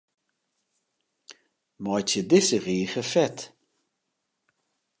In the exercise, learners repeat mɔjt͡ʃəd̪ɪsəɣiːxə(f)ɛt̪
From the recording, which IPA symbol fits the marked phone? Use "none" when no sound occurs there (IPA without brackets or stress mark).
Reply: f